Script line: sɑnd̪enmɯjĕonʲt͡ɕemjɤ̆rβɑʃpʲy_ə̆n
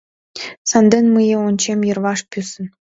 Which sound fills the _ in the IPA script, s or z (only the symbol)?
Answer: s